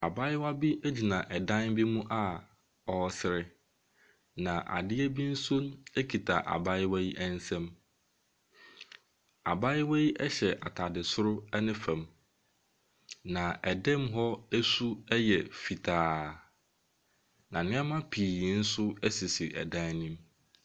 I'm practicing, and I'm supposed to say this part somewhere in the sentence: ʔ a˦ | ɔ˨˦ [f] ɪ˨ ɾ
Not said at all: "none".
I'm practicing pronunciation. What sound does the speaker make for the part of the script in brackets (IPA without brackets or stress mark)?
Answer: s